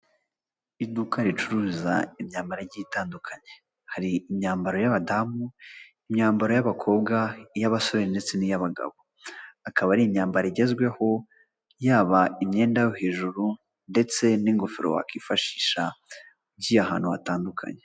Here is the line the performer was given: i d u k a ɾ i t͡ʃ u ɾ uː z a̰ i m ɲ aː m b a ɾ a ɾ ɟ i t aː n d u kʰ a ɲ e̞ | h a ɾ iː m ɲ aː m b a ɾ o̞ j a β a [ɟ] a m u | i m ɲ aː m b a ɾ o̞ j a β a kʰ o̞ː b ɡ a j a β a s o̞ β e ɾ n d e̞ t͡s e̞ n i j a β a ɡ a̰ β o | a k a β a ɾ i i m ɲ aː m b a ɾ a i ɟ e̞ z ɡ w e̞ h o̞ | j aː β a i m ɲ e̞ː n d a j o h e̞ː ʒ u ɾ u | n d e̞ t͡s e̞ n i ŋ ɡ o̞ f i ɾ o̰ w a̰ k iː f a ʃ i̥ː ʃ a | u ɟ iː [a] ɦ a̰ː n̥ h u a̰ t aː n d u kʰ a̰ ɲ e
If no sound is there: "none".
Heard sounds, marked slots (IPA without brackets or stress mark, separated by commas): d, a